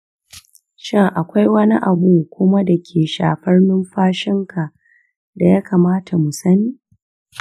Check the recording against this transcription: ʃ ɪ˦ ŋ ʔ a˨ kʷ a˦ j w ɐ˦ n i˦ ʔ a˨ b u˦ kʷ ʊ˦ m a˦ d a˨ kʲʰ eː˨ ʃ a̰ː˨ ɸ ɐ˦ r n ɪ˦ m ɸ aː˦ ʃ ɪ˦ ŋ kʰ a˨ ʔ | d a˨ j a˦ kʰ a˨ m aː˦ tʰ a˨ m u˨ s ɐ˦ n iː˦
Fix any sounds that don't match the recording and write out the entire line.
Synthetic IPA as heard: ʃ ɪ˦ ŋ ʔ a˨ kʷ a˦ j w ɐ˦ n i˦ ʔ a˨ b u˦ kʷ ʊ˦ m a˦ d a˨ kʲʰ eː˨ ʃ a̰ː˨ ɸ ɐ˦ r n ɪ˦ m ɸ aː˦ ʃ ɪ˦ ŋ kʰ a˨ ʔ | d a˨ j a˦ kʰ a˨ m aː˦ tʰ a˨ m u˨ s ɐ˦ n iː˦